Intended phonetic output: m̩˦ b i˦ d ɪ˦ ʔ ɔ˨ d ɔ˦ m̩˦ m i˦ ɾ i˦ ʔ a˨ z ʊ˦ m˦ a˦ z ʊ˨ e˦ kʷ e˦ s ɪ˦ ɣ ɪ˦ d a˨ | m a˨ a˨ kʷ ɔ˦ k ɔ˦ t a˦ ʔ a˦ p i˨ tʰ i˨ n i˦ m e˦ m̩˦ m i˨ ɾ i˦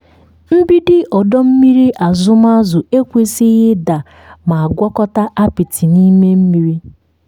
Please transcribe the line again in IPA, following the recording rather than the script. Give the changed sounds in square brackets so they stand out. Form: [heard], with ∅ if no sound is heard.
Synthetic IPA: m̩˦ b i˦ d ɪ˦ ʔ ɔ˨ d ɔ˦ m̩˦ m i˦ ɾ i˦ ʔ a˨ z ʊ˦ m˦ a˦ z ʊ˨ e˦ kʷ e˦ s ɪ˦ ɣ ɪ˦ d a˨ | m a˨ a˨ [ɡʷ] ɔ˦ k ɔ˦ t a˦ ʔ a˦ p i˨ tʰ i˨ n i˦ m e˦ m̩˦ m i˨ ɾ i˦